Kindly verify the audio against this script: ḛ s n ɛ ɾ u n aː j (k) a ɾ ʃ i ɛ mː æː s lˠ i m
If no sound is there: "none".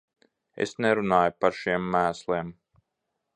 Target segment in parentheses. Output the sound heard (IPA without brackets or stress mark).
p